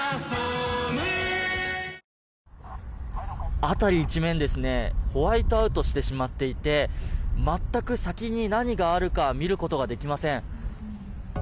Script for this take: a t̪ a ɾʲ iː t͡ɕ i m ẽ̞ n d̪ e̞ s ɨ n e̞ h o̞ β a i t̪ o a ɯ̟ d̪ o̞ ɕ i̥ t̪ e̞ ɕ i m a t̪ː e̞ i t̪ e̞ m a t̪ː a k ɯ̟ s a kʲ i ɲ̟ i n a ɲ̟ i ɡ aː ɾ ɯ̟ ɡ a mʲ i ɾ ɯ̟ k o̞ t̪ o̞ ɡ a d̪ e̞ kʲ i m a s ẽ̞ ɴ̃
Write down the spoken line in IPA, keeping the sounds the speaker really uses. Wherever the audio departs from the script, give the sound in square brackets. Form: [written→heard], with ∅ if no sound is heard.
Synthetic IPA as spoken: a t̪ a ɾʲ iː t͡ɕ i m ẽ̞ n d̪ e̞ s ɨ n e̞ h o̞ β a i t̪ o a ɯ̟ [d̪→t̪] o̞ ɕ i̥ t̪ e̞ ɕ i m a t̪ː e̞ i t̪ e̞ m a t̪ː a k ɯ̟ s a kʲ i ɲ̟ i n a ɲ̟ i ɡ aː ɾ ɯ̟ [ɡ→k] a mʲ i ɾ ɯ̟ k o̞ t̪ o̞ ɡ a d̪ e̞ kʲ i m a s ẽ̞ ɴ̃